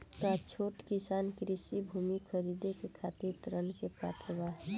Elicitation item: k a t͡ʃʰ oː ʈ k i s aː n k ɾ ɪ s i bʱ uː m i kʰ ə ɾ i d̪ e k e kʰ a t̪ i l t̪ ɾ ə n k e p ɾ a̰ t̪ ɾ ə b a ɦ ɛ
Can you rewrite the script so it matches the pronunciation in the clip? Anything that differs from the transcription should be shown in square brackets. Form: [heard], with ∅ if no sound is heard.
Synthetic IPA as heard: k a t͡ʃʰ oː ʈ k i s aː n k ɾ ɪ s i bʱ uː m i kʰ ə ɾ i d̪ e k e kʰ a t̪ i [ɾ] t̪ ɾ ə n k e p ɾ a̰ t̪ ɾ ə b a ɦ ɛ